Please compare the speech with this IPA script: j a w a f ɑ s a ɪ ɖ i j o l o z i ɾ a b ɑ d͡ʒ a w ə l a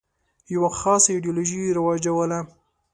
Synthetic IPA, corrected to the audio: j a w a x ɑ s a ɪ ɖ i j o l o ʒ i ɾ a w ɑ d͡ʒ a w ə l a